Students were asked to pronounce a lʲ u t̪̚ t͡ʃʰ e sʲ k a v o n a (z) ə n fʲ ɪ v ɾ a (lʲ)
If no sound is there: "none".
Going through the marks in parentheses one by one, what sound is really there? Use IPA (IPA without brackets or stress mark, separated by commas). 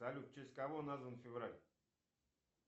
z, lʲ